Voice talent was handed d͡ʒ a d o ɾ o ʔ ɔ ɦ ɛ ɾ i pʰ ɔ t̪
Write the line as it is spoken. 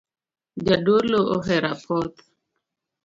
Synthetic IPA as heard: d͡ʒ a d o l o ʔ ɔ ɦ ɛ ɾ a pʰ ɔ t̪